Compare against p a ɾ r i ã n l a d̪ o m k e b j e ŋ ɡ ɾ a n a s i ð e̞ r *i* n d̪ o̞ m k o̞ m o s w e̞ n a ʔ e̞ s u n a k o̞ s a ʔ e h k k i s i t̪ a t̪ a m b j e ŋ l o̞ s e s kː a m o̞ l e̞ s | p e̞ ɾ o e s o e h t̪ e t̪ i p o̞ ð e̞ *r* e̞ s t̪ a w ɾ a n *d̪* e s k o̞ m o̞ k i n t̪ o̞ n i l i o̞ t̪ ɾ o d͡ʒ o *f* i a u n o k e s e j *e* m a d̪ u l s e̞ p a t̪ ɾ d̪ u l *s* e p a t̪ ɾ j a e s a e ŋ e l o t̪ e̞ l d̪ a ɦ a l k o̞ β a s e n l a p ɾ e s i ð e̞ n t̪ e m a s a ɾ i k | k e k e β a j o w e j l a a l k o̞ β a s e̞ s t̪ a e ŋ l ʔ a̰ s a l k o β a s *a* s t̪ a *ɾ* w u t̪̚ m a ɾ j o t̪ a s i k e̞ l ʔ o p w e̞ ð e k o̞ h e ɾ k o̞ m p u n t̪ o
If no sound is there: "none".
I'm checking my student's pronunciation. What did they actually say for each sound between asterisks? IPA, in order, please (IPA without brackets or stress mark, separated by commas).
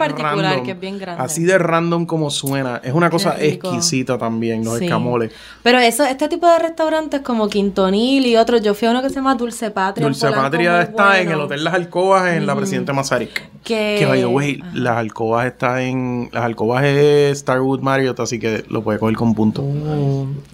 a, r, t̪, f, a, s, e, ɾ